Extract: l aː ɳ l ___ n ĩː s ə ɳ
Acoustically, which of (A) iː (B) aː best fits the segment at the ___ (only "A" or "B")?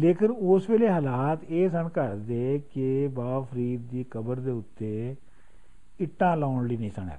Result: A